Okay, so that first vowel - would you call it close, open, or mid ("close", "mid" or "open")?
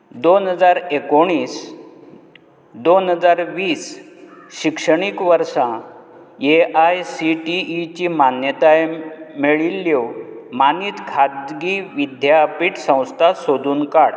mid